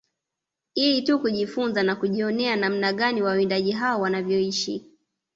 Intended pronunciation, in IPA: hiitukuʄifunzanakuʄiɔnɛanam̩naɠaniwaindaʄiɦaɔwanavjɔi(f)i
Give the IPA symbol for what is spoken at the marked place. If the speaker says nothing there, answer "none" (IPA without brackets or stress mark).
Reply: ʃ